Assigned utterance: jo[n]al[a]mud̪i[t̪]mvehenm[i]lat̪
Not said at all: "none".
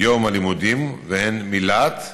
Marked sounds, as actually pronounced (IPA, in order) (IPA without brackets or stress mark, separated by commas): m, i, none, i